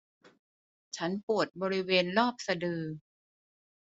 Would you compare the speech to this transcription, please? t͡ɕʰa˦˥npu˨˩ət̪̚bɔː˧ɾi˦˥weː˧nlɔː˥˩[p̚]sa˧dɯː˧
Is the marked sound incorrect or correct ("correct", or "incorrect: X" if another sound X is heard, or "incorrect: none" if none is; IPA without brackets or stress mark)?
correct